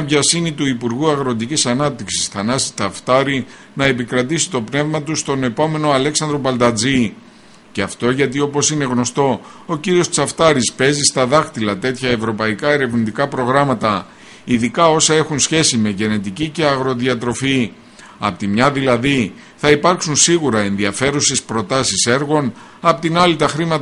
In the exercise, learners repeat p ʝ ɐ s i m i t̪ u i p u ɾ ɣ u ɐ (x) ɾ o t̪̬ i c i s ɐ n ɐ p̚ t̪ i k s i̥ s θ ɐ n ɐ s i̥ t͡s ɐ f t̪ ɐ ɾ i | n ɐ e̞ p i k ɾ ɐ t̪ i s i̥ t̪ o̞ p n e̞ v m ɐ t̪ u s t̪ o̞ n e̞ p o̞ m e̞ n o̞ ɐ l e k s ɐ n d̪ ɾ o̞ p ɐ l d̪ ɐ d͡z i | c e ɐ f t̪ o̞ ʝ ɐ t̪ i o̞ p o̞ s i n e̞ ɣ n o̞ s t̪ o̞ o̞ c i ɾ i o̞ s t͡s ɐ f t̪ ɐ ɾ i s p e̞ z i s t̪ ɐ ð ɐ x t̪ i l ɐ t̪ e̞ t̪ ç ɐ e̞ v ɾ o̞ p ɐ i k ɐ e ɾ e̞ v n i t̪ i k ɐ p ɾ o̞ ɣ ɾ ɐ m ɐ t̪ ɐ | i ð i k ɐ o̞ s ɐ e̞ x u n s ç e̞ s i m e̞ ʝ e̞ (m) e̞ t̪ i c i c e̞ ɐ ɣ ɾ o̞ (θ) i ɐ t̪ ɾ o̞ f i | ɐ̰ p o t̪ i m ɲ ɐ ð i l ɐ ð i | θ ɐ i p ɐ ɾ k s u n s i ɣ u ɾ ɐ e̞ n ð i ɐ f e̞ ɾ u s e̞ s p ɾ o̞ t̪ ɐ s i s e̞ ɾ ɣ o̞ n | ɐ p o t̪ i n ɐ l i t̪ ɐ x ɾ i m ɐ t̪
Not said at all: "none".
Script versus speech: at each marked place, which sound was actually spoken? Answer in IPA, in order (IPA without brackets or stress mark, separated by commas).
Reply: ɣ, n, ð